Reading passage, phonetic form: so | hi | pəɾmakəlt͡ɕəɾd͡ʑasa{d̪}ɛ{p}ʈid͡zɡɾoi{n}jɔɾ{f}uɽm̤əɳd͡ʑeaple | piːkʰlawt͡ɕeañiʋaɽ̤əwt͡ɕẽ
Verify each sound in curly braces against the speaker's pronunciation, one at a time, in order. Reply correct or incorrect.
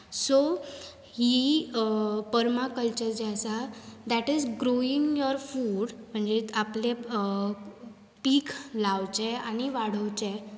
correct, incorrect: none, incorrect: ŋ, correct

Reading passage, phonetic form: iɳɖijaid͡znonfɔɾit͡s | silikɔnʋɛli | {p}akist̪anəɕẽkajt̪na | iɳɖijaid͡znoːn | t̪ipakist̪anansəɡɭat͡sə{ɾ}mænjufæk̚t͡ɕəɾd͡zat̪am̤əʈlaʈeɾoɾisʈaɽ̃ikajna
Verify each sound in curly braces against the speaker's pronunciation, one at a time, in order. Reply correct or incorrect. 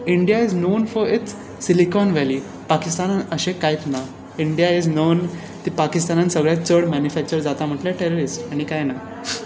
correct, incorrect: ɽ

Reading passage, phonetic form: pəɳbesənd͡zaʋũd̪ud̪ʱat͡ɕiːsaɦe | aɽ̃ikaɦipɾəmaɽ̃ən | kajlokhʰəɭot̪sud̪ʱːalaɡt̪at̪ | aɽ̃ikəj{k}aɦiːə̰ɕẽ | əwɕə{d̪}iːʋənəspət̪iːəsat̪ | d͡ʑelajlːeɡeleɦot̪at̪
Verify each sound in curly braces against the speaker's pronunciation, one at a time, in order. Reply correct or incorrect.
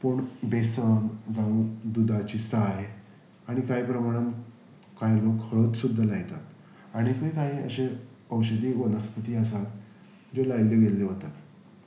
correct, correct

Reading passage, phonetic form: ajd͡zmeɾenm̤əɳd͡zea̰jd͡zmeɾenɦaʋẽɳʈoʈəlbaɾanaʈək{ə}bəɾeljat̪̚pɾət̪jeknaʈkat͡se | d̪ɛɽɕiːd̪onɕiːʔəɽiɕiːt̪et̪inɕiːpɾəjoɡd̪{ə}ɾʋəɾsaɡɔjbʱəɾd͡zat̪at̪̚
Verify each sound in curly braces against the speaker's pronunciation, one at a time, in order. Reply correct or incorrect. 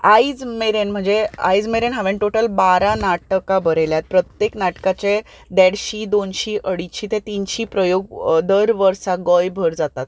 incorrect: a, correct

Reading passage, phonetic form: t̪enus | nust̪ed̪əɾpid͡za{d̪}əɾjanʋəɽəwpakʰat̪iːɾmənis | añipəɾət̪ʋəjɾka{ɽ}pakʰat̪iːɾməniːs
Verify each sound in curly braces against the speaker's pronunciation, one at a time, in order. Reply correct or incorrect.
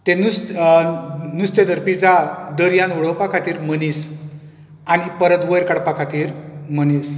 correct, correct

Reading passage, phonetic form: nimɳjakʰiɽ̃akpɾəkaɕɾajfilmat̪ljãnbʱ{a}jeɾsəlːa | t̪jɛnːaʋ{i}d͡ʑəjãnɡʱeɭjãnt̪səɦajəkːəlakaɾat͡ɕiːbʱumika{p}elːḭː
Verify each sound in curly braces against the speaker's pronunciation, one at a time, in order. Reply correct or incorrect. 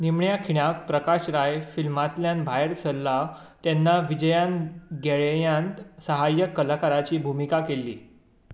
correct, correct, incorrect: k

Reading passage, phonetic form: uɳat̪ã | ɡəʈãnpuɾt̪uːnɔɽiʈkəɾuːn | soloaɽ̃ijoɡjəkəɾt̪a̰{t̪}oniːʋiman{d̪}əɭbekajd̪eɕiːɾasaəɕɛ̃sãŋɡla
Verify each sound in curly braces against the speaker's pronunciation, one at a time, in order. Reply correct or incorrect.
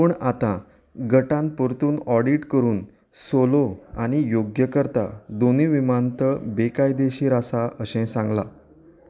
incorrect: d̪, incorrect: t̪

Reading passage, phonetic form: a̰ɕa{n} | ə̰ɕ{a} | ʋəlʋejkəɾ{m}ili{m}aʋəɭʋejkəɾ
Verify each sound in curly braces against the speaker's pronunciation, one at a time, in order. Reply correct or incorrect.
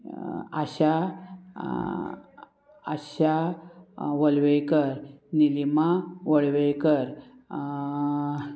incorrect: none, correct, incorrect: n, correct

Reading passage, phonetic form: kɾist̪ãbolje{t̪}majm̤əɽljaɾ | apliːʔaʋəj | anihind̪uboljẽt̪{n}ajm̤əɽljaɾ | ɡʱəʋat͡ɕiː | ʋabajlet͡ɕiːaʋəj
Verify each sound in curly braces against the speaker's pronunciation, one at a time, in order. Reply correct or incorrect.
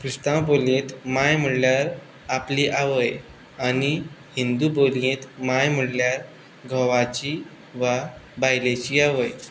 correct, incorrect: m

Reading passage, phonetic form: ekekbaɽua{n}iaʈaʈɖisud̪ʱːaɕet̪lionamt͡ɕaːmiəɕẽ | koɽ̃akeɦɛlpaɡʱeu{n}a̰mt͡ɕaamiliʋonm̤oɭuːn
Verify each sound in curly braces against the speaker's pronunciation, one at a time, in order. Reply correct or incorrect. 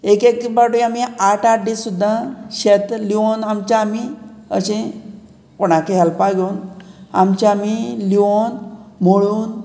incorrect: m, correct

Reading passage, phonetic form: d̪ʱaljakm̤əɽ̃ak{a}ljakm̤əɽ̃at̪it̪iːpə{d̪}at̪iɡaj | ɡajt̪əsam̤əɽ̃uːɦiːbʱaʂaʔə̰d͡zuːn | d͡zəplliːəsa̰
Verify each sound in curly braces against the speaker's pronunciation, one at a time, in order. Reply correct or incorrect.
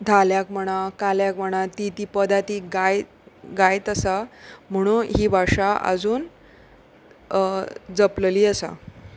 correct, correct

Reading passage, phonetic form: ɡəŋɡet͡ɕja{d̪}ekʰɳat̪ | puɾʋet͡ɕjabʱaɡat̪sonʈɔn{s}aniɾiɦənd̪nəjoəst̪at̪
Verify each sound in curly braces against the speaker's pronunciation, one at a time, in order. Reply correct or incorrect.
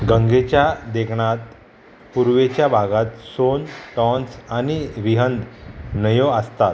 correct, correct

